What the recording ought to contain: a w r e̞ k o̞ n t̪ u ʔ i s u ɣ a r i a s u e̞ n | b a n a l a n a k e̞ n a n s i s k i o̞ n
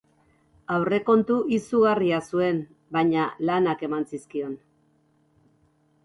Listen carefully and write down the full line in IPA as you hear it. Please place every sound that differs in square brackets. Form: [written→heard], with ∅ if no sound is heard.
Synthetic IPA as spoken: a w r e̞ k o̞ n t̪ u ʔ i s u ɣ a r i a s u e̞ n | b a [n→ɲ] a l a n a k e̞ [n→m] a n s i s k i o̞ n